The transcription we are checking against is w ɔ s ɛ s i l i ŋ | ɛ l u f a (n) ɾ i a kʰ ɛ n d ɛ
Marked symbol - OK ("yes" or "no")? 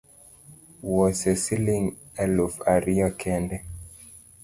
no